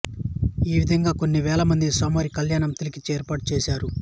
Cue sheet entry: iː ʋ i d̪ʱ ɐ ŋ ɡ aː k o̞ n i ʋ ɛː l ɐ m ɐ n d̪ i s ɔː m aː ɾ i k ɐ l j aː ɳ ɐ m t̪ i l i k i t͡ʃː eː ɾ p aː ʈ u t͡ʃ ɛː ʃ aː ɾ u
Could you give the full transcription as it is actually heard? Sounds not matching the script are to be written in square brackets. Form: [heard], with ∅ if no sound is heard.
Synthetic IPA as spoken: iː ʋ i d̪ʱ ɐ ŋ ɡ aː k o̞ [nː] i ʋ ɛː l ɐ m ɐ n d̪ i s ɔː m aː ɾ i k ɐ l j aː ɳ ɐ m t̪ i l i k i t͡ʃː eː ɾ p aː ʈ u t͡ʃ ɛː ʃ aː ɾ u